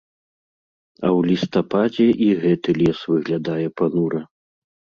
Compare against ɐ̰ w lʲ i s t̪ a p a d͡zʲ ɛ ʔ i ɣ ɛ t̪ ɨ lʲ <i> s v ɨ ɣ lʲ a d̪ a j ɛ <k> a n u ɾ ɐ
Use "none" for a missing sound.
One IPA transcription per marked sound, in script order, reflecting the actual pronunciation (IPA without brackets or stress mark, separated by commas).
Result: ɛ, p